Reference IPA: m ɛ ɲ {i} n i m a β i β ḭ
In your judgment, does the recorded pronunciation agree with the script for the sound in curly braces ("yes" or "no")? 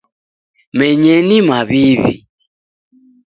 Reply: no